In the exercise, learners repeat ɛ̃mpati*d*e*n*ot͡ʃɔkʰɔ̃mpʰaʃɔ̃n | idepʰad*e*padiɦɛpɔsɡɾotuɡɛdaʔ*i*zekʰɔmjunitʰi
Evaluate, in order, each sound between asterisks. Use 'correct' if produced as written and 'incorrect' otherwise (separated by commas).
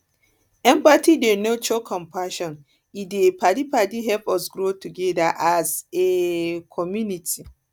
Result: correct, correct, incorrect, incorrect